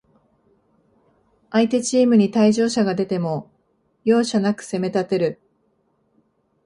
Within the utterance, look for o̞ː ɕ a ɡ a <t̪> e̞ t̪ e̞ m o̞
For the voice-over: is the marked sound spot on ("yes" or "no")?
no